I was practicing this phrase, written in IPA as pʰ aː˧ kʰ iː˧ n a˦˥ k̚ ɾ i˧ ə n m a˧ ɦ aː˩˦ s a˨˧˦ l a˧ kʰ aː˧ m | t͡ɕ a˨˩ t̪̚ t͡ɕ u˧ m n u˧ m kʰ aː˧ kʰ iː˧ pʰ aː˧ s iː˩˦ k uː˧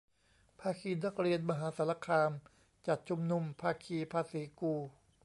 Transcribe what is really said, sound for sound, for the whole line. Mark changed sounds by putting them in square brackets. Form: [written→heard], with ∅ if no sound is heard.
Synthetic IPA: pʰ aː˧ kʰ iː˧ n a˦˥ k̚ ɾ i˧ ə n m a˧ ɦ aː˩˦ s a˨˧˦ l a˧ kʰ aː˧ m | t͡ɕ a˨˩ t̪̚ [t͡ɕ→t͡ɕʰ] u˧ m n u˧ m [kʰ→pʰ] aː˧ kʰ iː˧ pʰ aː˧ s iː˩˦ k uː˧